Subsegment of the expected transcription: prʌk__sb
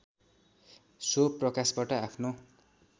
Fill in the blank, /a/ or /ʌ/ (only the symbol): a